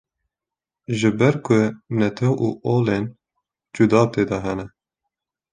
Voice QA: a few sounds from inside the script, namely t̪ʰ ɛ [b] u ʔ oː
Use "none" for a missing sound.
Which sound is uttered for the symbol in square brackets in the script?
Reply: w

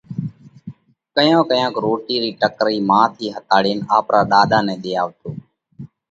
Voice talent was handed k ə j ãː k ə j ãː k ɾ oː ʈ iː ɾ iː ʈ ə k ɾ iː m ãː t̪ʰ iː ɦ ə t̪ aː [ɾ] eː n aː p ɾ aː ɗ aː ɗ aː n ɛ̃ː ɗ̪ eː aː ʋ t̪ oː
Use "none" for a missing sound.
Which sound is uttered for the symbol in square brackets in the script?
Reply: ɽ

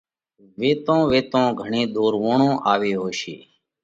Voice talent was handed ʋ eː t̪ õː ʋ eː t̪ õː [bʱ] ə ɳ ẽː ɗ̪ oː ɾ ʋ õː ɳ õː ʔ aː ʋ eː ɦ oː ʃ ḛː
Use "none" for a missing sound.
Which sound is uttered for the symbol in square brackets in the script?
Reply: ɡʱ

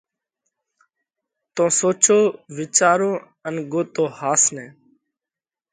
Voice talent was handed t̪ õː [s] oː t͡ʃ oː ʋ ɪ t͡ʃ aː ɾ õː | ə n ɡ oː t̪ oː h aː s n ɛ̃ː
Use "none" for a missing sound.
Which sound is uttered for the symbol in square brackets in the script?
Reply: s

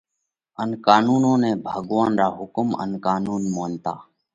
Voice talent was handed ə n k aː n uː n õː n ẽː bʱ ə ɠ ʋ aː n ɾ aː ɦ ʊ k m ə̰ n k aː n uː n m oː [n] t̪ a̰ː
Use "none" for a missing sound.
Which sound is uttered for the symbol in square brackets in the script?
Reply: n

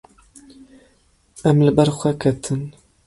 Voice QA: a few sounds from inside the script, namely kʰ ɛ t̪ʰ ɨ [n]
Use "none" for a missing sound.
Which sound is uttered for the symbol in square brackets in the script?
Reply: n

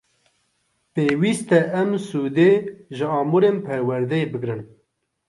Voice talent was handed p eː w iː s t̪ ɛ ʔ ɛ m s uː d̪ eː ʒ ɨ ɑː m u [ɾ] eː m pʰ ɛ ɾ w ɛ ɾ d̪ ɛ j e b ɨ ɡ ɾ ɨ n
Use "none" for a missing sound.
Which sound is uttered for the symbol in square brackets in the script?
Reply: ɾ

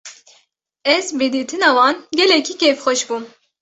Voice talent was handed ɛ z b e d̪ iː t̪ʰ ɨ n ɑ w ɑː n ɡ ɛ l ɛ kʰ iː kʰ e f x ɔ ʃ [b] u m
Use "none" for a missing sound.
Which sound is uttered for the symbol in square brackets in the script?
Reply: b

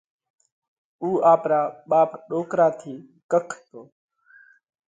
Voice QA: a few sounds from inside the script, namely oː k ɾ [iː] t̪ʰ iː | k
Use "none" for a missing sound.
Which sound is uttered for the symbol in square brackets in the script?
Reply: aː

